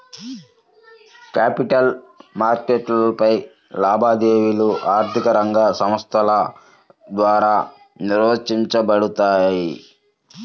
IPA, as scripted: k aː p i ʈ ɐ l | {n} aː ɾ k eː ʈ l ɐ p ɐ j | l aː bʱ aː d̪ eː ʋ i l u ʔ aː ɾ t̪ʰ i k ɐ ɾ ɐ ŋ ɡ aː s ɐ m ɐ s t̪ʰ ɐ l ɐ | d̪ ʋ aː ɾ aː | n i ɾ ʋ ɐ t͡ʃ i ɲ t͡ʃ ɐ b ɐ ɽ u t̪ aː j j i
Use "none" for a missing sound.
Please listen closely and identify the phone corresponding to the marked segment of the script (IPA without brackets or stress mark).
m